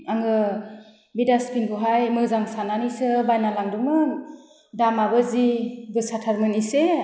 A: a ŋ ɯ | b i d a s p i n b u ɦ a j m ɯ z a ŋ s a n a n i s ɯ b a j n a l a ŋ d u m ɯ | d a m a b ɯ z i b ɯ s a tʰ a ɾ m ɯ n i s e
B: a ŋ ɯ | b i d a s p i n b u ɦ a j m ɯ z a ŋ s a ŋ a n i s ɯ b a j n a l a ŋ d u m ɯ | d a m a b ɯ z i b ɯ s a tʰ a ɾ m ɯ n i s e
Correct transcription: A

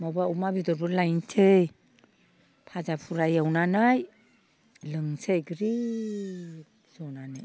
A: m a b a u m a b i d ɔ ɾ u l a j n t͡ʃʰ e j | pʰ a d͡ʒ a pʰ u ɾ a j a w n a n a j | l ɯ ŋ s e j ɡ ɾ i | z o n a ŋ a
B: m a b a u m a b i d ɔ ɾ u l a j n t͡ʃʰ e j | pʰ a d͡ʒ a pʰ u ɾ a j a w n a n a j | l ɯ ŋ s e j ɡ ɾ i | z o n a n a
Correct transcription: B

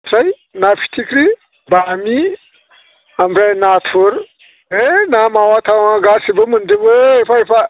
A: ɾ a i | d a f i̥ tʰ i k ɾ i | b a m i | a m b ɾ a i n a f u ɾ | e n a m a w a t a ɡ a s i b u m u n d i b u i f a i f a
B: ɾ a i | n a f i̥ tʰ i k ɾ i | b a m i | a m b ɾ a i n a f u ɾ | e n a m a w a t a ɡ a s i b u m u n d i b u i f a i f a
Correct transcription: B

